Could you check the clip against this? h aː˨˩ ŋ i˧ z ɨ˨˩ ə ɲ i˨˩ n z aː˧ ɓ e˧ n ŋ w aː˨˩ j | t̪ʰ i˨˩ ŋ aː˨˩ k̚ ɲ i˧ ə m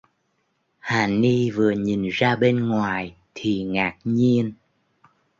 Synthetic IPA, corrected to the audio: h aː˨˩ n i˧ v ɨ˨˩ ə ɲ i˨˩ n z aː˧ ɓ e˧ n ŋ w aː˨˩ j | t̪ʰ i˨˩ ŋ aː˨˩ k̚ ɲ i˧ ə n